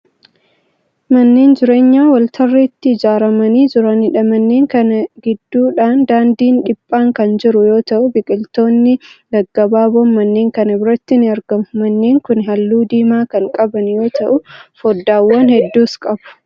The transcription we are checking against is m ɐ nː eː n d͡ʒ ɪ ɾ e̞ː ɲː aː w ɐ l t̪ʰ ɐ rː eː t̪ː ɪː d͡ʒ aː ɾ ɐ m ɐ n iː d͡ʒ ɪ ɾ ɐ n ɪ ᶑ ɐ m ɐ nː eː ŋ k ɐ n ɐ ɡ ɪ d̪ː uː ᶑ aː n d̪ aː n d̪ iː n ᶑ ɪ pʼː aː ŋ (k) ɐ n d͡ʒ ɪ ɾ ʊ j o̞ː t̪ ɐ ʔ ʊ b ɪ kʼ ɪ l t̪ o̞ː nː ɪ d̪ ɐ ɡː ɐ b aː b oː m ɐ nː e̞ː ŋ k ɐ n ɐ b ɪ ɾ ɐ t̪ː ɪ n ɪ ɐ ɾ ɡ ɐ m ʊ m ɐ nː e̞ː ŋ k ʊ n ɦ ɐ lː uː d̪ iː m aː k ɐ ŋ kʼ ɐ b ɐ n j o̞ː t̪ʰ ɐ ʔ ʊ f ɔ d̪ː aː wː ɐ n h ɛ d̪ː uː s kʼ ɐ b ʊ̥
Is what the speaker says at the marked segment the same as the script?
yes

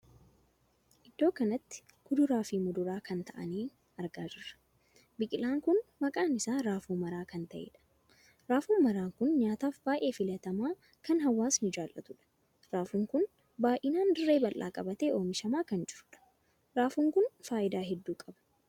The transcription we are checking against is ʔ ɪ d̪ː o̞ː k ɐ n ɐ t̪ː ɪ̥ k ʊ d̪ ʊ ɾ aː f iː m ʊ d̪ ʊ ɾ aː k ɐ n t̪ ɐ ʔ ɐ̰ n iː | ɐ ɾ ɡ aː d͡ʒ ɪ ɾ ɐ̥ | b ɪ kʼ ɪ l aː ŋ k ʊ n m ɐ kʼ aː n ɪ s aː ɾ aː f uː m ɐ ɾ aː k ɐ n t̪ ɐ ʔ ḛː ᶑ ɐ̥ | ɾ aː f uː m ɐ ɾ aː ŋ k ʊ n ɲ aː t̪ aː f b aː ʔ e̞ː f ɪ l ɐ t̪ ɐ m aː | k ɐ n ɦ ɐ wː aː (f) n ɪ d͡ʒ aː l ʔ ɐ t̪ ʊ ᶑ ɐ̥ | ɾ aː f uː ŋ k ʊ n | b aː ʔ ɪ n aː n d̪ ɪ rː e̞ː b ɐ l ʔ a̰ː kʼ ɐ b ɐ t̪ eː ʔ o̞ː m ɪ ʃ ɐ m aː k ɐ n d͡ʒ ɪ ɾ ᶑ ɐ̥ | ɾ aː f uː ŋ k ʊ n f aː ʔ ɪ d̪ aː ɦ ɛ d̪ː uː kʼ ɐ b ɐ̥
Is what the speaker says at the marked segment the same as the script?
no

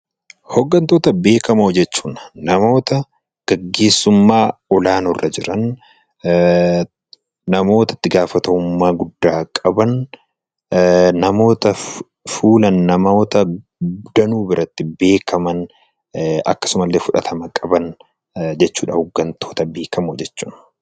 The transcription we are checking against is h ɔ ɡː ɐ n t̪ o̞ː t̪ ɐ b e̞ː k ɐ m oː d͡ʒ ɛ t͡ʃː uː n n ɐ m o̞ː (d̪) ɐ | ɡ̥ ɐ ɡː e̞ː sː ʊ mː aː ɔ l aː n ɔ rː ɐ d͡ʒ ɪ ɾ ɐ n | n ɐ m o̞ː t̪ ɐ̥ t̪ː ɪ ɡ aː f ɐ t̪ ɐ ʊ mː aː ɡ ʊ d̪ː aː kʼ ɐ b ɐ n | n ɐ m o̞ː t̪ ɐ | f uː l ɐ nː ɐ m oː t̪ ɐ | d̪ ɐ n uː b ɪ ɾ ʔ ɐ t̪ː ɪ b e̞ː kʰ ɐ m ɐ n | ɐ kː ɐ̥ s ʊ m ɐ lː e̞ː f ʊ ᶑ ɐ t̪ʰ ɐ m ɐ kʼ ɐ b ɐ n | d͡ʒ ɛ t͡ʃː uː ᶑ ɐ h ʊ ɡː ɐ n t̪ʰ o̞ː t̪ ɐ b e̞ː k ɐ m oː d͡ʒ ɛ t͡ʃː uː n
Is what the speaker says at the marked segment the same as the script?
no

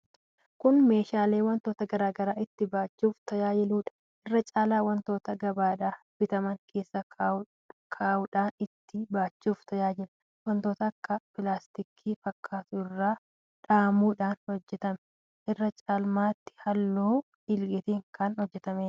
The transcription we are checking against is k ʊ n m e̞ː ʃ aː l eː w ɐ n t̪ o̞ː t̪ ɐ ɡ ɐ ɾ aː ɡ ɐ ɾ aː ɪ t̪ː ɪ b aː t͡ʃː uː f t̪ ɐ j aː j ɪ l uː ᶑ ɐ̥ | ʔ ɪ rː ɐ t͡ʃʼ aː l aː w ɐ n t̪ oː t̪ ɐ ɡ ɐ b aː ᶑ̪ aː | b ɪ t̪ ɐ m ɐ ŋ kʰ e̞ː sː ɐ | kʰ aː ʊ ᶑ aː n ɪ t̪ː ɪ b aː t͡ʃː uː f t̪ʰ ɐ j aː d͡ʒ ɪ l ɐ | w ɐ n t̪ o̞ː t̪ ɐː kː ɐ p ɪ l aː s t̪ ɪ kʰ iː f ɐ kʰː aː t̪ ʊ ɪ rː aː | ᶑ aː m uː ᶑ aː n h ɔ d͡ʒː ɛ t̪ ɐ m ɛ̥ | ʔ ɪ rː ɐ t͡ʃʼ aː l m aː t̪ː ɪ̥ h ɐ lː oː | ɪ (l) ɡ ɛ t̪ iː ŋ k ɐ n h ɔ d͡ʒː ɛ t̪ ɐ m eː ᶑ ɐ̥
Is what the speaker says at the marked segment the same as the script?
yes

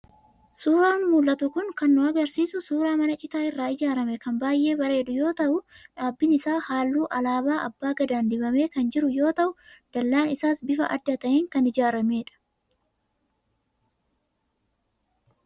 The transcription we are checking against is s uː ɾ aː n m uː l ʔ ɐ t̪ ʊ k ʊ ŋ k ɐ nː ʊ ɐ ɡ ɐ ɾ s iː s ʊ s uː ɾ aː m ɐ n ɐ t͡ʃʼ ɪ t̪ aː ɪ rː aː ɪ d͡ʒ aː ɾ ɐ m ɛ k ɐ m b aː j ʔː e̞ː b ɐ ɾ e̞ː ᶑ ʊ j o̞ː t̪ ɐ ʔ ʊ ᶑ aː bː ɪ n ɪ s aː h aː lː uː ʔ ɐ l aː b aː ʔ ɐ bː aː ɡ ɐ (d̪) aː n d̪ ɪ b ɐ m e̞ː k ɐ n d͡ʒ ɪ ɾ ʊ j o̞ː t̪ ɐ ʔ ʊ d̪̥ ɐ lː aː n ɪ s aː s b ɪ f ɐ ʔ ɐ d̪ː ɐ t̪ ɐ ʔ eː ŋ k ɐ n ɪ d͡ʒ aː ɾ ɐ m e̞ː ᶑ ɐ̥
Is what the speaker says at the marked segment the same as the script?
yes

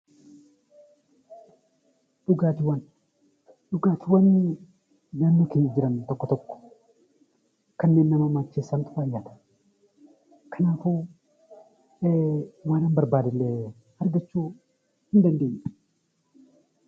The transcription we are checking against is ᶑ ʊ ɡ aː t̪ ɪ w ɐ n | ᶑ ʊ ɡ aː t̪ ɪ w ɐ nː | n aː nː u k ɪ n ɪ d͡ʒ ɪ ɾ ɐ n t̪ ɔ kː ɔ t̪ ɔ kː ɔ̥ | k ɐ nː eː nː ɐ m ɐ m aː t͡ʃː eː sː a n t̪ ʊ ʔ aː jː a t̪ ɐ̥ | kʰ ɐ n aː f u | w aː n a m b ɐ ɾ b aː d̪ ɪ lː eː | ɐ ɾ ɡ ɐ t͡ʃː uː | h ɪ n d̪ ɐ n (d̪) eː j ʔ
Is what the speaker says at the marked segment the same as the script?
yes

